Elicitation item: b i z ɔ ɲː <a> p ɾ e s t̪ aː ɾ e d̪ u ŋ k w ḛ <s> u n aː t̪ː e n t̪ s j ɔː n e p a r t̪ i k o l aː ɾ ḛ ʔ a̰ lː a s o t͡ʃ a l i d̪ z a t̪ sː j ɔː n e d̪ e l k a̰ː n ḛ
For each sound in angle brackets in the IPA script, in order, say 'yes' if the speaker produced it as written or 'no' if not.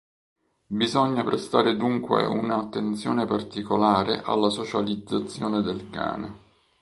yes, no

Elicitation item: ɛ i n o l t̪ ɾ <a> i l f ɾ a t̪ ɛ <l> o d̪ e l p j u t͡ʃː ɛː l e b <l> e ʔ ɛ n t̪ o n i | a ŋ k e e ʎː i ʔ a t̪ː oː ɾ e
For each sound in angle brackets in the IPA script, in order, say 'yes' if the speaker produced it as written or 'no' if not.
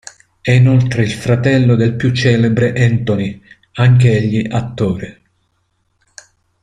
no, no, no

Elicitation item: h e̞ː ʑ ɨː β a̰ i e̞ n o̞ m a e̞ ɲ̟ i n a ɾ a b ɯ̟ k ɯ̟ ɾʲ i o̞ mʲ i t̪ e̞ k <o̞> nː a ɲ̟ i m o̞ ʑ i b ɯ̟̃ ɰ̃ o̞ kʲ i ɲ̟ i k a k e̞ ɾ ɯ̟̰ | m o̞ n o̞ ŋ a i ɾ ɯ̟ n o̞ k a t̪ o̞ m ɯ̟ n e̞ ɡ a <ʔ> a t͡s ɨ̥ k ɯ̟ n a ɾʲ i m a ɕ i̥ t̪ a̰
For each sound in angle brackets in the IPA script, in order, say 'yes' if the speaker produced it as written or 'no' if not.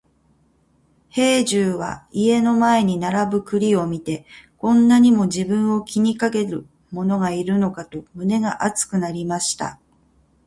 no, yes

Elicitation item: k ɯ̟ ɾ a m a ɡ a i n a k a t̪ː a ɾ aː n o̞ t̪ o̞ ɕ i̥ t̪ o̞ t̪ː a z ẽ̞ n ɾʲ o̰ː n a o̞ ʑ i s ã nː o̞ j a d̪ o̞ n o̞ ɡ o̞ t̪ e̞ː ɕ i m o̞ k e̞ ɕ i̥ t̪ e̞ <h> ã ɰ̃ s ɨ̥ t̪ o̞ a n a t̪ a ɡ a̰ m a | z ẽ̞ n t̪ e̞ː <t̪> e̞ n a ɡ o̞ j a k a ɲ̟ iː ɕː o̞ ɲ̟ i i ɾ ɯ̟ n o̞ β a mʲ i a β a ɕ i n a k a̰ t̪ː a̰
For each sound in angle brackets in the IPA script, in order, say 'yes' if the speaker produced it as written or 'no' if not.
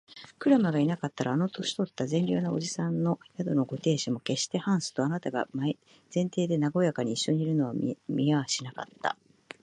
yes, no

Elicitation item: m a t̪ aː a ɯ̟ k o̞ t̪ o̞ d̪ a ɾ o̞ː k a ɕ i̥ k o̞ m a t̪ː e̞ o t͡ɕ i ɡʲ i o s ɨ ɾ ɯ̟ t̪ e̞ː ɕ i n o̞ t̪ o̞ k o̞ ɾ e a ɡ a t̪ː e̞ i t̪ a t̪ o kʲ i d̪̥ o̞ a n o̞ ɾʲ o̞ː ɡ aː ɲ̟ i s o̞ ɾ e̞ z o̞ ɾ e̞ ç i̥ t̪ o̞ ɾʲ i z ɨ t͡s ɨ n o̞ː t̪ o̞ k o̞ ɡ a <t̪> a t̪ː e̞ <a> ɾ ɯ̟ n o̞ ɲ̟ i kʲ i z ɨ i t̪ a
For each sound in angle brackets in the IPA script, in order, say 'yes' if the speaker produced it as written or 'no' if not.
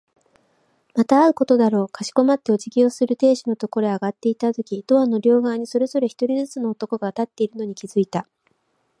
yes, no

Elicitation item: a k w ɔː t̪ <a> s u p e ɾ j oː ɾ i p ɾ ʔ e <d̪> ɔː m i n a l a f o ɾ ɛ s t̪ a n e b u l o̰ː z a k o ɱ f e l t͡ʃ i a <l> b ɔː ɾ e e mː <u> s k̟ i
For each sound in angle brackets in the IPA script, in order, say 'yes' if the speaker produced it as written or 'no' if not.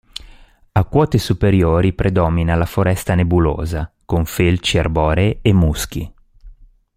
no, yes, no, yes

